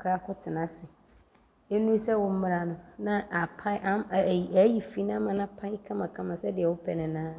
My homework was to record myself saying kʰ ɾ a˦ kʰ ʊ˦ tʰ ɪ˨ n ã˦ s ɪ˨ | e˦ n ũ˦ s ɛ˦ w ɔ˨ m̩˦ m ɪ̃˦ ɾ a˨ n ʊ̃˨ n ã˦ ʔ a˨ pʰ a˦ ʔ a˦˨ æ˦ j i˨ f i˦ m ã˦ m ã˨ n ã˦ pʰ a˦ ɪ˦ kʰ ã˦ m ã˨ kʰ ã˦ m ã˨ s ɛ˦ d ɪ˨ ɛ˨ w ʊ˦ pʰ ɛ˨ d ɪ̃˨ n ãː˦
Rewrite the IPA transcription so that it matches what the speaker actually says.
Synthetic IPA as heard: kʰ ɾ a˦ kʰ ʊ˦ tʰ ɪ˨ n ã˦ s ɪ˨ | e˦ n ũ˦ s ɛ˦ w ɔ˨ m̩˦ m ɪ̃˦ ɾ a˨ n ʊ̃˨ n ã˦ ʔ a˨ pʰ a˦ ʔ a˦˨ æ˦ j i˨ f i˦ n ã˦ m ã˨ n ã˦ pʰ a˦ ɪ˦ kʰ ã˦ m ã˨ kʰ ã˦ m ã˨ s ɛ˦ d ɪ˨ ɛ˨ w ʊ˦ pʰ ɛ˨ n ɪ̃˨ n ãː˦